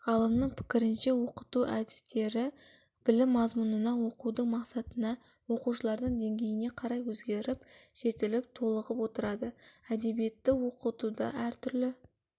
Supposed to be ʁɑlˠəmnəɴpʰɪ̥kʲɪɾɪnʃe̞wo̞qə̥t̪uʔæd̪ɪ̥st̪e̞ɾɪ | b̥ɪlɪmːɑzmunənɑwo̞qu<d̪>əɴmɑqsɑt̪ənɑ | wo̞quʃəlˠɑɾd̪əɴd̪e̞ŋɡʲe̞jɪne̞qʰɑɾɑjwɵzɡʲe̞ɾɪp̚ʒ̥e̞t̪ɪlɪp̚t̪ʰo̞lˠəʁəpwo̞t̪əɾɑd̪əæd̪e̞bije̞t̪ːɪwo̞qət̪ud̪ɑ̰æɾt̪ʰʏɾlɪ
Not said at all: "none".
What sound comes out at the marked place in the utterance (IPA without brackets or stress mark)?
d̪